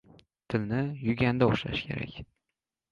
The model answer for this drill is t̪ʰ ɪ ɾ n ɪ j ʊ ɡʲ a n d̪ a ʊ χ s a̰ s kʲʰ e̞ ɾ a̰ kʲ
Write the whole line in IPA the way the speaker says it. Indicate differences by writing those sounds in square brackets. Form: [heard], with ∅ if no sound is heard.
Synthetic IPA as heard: t̪ʰ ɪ [l] n ɪ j ʊ ɡʲ a n d̪ a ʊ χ [ʃ] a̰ [ʃ] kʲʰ e̞ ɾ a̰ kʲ